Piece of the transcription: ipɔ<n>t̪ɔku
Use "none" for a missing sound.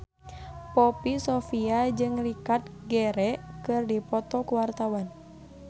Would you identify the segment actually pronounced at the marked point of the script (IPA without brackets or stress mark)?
none